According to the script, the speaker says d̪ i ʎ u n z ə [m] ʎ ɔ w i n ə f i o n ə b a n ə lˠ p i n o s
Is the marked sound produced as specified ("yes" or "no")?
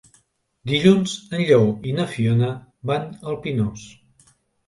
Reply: no